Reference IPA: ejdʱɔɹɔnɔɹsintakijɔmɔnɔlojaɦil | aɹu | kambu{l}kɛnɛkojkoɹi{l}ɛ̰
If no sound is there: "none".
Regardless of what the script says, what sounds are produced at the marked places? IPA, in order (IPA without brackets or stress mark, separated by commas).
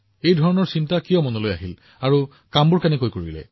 ɹ, l